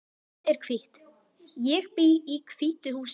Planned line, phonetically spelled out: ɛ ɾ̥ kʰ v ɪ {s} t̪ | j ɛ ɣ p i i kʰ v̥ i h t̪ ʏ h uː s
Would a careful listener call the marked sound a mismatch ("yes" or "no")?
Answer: yes